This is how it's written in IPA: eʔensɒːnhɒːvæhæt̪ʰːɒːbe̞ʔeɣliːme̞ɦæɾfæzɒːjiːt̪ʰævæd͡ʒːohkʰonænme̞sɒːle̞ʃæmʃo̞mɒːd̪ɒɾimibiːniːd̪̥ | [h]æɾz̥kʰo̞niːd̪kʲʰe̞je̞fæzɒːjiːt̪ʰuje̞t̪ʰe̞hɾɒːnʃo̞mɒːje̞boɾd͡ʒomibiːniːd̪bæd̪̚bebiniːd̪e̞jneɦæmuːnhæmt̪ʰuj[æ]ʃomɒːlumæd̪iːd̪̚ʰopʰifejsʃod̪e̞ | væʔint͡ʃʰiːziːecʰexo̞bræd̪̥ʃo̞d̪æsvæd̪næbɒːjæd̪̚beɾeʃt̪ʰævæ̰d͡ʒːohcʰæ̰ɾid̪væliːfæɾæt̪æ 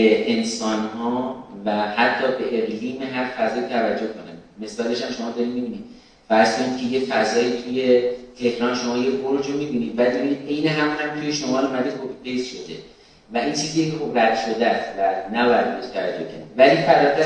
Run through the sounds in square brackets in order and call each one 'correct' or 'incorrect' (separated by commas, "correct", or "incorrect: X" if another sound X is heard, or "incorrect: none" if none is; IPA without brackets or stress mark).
incorrect: f, incorrect: e